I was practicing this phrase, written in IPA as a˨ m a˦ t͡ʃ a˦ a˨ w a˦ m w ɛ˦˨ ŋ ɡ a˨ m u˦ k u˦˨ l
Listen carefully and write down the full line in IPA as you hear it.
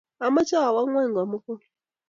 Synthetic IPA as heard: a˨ m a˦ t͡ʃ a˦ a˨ w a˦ ŋ w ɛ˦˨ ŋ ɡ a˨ m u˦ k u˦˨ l